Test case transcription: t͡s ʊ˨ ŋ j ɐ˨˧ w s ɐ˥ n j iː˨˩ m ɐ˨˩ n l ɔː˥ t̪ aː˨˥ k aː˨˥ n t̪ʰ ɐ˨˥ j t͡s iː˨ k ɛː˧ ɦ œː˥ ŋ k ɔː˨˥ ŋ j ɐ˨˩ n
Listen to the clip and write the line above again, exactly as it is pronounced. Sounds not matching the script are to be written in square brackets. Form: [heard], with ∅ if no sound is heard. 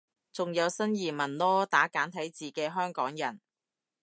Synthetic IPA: t͡s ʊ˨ ŋ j ɐ˨˧ w s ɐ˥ n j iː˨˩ m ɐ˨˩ n l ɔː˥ t̪ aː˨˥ k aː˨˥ n t̪ʰ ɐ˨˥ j t͡s iː˨ k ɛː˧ ɦ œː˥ ŋ k ɔː˨˥ ŋ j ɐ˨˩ n